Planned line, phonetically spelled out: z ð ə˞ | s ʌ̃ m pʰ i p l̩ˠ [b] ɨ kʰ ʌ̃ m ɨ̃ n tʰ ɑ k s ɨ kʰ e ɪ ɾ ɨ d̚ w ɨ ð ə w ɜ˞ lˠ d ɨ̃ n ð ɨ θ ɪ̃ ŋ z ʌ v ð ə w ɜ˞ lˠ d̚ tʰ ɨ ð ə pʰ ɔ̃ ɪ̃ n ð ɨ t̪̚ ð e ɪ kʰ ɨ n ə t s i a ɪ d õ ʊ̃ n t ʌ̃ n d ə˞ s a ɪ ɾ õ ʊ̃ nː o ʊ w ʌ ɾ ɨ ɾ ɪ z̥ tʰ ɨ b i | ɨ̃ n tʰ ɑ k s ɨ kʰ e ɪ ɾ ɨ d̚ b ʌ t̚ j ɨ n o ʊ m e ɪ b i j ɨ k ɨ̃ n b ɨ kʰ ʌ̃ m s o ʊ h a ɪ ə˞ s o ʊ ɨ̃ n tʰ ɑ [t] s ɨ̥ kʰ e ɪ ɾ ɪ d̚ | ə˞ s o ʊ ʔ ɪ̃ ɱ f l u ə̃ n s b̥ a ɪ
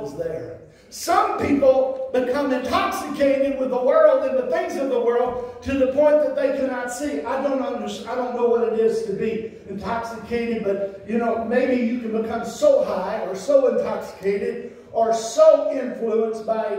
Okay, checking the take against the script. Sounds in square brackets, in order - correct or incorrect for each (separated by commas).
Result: correct, incorrect